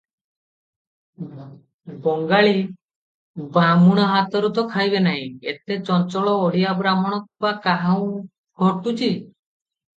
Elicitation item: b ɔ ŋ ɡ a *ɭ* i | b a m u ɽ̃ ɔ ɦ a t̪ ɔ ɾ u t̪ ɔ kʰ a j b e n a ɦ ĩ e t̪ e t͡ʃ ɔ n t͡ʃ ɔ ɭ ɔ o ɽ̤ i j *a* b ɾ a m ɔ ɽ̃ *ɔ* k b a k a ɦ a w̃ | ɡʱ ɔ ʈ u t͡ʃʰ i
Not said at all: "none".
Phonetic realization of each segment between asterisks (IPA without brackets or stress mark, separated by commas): ɭ, a, ɔ